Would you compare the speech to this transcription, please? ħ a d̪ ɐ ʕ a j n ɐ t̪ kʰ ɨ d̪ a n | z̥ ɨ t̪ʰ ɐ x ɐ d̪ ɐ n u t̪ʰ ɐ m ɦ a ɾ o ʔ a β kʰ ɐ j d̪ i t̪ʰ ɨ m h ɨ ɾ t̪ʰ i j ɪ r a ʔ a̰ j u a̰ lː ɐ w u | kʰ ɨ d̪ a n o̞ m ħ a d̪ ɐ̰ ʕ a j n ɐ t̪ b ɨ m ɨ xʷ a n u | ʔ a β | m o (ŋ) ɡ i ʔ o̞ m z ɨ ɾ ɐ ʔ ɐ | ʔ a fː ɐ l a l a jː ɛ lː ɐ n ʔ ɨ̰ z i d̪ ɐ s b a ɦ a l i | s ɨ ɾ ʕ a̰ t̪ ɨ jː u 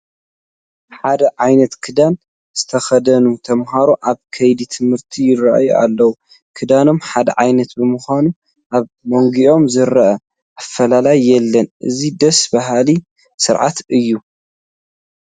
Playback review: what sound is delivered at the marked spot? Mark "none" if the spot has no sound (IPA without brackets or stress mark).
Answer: ŋ